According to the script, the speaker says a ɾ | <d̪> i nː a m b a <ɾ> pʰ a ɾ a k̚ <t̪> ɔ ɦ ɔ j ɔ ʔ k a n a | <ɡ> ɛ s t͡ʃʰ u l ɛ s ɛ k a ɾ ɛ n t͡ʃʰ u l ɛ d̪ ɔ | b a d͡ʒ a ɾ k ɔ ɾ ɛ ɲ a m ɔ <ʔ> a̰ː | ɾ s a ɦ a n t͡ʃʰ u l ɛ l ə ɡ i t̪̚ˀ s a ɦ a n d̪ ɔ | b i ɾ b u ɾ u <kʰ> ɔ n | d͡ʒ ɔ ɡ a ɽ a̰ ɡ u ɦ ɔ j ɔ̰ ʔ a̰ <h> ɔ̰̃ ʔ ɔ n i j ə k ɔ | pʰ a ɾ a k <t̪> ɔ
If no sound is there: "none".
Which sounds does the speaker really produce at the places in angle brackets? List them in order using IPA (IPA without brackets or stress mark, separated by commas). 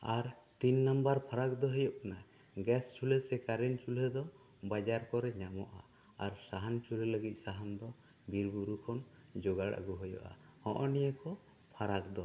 t̪, ɾ, d̪, ɡ, ʔ, kʰ, h, d̪